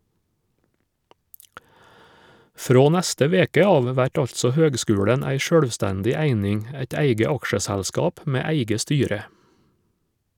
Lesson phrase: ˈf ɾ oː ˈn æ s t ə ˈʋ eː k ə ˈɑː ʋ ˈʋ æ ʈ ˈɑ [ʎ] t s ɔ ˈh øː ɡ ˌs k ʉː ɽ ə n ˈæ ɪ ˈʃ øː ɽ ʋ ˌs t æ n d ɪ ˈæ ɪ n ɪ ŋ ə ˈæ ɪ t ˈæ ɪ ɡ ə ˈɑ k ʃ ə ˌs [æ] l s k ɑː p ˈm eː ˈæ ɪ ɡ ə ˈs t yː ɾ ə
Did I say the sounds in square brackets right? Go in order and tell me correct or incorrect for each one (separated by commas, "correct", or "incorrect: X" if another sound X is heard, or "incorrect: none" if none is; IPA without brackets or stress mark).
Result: correct, correct